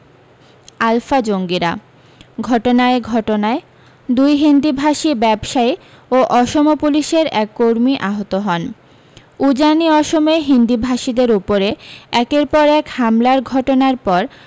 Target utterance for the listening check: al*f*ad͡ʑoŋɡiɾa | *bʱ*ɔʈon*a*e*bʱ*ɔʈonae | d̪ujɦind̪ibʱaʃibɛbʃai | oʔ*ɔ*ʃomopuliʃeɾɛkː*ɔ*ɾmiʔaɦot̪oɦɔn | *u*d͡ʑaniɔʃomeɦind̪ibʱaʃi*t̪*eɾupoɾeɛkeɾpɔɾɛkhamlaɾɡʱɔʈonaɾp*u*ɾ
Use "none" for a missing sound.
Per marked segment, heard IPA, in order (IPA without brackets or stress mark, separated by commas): f, ɡʱ, a, ɡʱ, ɔ, o, u, d̪, ɔ